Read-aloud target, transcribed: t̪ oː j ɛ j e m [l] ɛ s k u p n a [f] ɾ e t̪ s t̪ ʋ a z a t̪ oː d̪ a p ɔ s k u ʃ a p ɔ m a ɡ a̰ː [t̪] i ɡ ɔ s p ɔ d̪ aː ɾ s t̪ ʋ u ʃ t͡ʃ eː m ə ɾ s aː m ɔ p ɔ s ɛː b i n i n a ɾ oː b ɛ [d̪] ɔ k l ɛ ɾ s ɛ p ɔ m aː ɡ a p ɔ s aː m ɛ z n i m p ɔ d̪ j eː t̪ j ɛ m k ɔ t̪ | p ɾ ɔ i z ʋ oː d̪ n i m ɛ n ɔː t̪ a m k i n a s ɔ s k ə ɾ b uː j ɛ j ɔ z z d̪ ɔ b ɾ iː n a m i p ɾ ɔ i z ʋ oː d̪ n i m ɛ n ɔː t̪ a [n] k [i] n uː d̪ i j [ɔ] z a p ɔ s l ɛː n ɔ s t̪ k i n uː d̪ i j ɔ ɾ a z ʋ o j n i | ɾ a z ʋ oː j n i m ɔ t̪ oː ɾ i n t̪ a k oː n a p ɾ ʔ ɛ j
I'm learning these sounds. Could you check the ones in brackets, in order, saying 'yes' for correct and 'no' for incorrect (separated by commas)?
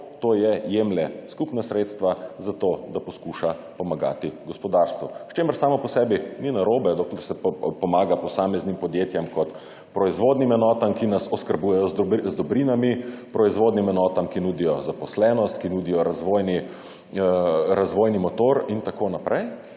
yes, no, yes, yes, no, yes, yes